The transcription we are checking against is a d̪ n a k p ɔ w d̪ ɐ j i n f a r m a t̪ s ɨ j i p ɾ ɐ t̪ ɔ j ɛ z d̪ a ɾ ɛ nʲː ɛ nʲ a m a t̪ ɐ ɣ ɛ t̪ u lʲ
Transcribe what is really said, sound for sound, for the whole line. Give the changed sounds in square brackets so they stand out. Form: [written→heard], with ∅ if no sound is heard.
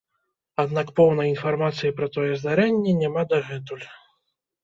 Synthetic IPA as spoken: a d̪ n a k p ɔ w [d̪→n̪] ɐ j i n f a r m a t̪ s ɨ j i p ɾ ɐ t̪ ɔ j ɛ z d̪ a ɾ ɛ nʲː ɛ nʲ a m a [t̪→d̪] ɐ ɣ ɛ t̪ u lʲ